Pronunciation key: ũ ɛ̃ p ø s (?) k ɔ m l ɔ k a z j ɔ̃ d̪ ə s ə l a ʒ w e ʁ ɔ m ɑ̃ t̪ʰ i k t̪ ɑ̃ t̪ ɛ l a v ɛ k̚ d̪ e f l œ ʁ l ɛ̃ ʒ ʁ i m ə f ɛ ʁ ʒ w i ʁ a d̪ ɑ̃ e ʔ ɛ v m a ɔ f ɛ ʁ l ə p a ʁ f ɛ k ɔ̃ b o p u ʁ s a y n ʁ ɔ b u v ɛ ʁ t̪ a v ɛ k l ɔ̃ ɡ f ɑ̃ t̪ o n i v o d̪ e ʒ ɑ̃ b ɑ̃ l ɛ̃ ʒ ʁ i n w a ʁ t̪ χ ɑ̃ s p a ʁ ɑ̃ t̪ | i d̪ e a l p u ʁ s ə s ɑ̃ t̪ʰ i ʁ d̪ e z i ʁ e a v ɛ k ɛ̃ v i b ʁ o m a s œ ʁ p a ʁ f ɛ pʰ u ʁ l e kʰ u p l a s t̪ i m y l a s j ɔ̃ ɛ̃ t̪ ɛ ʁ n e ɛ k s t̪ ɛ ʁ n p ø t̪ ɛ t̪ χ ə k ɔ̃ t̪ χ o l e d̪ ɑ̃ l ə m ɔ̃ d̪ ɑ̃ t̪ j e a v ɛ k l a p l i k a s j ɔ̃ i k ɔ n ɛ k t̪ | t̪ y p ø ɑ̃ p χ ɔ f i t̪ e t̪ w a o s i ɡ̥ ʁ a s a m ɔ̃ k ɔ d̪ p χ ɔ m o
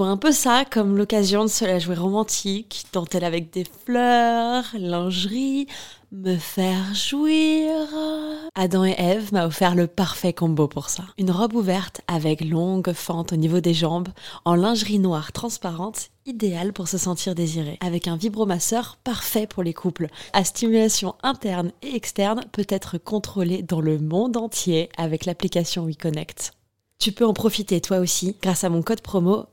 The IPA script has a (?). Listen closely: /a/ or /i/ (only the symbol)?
a